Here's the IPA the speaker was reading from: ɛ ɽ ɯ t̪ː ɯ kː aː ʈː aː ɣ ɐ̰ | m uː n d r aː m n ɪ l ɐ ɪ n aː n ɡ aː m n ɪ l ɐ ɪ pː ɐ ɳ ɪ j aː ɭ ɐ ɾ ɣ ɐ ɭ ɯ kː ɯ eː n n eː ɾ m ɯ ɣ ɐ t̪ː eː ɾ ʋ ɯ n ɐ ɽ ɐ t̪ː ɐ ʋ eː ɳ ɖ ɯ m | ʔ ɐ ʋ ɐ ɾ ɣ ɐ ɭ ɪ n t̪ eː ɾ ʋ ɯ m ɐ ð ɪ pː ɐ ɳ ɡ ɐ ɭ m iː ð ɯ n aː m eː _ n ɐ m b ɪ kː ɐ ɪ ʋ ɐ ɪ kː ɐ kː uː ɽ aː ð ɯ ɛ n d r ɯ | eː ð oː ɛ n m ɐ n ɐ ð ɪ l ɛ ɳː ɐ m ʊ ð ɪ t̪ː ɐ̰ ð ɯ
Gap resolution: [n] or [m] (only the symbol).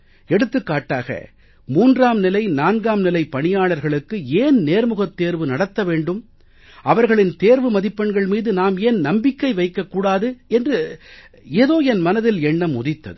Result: n